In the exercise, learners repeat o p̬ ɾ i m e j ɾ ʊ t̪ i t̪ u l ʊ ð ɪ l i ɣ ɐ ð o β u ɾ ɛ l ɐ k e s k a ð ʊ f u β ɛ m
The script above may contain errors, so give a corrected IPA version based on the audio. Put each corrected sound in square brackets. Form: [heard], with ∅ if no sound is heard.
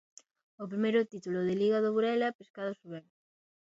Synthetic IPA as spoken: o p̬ ɾ i m e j ɾ ʊ t̪ i t̪ u l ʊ ð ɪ l i ɣ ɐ ð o β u ɾ ɛ l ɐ [p] e s k a ð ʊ [s] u β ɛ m